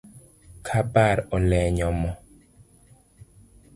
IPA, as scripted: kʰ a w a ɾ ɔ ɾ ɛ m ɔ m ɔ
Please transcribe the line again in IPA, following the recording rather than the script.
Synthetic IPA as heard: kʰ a b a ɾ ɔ l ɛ ɲ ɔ m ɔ